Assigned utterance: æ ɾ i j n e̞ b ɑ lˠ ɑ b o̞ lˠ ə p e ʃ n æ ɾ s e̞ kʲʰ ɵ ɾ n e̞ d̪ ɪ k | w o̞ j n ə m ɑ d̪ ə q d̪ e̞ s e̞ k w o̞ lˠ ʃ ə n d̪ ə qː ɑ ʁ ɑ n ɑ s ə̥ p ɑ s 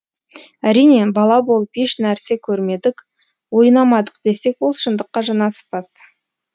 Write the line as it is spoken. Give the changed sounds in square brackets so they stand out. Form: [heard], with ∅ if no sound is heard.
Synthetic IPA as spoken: æ ɾ i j n e̞ b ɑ lˠ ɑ b o̞ lˠ ə p e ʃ n æ ɾ s e̞ kʲʰ ɵ ɾ [m] e̞ d̪ ɪ k | w o̞ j n [ɑ] m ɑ d̪ ə q d̪ e̞ s e̞ k w o̞ lˠ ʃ ə n d̪ ə qː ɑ [ʒ] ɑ n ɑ s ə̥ p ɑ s

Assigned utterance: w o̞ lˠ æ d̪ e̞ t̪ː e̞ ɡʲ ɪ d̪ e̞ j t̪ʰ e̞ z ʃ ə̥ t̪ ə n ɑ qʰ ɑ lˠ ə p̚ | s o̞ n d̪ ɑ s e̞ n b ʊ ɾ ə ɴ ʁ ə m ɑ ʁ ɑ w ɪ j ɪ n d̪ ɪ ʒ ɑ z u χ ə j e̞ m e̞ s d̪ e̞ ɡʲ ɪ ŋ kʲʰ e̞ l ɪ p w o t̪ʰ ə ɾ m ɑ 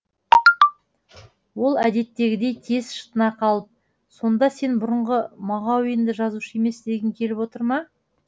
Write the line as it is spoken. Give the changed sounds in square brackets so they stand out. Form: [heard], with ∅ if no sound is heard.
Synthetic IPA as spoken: w o̞ lˠ æ d̪ e̞ t̪ː e̞ ɡʲ ɪ d̪ e̞ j t̪ʰ e̞ z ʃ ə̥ t̪ ə n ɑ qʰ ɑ lˠ ə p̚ | s o̞ n d̪ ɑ s e̞ n b ʊ ɾ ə ɴ ʁ ə m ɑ ʁ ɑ w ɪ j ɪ n d̪ ɪ ʒ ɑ z u [ʃ] ə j e̞ m e̞ s d̪ e̞ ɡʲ ɪ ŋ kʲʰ e̞ l ɪ p w o [t̪] ə ɾ m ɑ

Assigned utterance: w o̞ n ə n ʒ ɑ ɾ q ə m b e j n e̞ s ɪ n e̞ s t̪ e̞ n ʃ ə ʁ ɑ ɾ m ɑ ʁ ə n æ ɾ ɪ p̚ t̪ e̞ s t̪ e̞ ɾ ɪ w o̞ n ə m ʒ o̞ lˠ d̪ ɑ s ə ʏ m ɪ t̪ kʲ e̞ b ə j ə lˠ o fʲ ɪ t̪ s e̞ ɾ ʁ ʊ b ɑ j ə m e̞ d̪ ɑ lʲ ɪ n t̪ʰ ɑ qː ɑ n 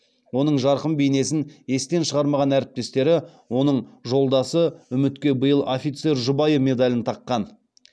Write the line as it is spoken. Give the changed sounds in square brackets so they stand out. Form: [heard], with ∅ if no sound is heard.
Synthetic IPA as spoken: w o̞ n ə [ɴ] ʒ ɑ ɾ q ə m b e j n e̞ s ɪ n e̞ s t̪ e̞ n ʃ ə ʁ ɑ ɾ m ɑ ʁ [ɑ] n æ ɾ ɪ p̚ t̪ e̞ s t̪ e̞ ɾ ɪ w o̞ n ə [ɴ] ʒ o̞ lˠ d̪ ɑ s ə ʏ m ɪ t̪ kʲ e̞ b ə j ə lˠ o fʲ [i] t̪ s e̞ ɾ [ʒ] ʊ b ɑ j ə m e̞ d̪ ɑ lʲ ɪ n t̪ʰ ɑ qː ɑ n

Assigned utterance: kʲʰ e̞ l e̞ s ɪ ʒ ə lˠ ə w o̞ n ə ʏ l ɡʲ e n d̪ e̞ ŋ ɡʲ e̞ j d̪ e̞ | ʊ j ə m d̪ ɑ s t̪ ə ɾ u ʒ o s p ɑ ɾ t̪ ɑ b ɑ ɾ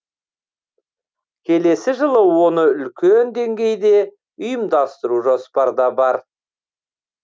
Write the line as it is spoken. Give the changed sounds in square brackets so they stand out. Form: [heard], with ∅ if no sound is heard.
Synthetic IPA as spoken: kʲʰ e̞ l e̞ s ɪ ʒ ə lˠ ə w o̞ n ə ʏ l [kʲ] e n d̪ e̞ ŋ ɡʲ e̞ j d̪ e̞ | ʊ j ə m d̪ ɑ s t̪ ə ɾ u ʒ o s p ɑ ɾ [d̪] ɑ b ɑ ɾ

